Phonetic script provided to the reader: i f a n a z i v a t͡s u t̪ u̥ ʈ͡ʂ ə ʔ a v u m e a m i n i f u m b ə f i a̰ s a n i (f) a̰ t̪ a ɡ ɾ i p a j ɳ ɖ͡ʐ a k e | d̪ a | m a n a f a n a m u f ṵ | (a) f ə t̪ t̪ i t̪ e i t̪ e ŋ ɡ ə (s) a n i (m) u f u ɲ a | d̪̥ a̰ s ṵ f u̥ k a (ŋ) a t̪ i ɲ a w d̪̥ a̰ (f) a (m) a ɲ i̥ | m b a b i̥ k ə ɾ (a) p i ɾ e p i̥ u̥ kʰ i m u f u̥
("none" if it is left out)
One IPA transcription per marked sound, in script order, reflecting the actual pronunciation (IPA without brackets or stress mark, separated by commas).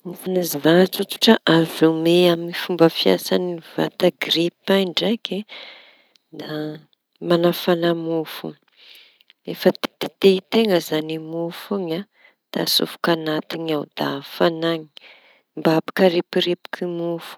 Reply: v, e, z, m, n, f, n, e